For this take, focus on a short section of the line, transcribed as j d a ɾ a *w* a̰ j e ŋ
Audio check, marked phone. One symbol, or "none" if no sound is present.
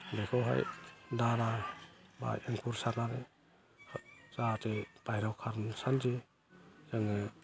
b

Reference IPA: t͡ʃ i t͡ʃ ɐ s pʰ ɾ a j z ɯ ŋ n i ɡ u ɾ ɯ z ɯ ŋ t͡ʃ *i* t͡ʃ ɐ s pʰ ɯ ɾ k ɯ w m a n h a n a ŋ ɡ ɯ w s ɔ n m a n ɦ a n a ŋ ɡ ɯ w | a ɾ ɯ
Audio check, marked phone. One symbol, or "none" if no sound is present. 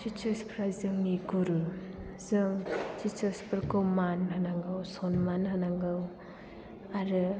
i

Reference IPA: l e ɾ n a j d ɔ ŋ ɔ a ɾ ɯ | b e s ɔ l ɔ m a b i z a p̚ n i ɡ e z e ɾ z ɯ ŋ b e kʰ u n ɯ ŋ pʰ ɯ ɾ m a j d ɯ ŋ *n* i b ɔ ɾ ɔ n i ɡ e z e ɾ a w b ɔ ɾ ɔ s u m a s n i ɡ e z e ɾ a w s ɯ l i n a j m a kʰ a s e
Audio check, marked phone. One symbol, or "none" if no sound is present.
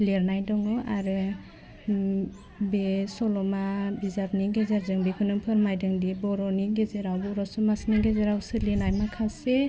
d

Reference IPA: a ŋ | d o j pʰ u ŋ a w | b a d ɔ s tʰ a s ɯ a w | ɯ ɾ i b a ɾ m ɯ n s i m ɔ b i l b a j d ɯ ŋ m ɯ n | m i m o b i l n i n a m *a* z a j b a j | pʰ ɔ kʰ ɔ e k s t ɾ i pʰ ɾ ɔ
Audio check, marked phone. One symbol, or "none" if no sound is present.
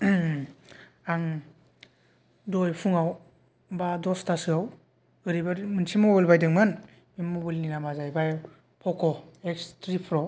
a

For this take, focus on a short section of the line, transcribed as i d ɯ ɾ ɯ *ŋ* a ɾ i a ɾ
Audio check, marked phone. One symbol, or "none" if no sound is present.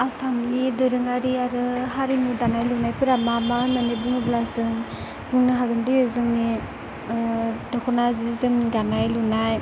ŋ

